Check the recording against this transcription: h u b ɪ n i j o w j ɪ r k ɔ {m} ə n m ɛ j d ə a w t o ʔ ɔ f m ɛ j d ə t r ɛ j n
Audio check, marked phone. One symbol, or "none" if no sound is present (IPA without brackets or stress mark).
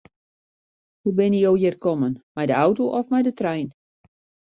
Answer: m